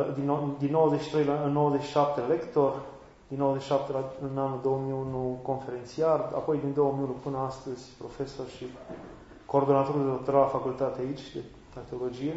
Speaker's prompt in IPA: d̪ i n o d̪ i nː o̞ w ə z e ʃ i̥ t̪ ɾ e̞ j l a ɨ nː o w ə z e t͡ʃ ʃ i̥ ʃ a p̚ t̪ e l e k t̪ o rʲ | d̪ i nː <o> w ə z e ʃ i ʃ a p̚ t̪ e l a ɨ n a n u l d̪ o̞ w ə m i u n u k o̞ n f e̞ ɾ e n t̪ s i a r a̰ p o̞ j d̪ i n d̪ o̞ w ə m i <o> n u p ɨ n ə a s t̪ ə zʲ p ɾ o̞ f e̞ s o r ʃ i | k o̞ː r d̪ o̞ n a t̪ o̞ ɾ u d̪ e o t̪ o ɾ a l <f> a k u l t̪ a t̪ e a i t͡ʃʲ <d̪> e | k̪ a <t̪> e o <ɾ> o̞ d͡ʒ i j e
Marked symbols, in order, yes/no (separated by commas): yes, no, yes, yes, yes, no